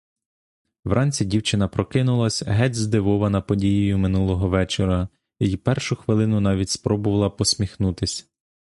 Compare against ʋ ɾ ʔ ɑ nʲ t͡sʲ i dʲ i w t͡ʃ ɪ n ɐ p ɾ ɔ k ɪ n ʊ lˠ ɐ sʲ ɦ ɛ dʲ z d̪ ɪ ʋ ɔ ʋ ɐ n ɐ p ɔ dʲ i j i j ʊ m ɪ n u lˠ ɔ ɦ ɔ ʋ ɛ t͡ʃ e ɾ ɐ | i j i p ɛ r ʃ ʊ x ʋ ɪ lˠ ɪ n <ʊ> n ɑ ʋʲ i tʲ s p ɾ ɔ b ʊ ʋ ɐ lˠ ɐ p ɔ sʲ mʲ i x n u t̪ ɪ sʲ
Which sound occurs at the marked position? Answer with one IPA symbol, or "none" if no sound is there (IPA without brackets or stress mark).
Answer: ʊ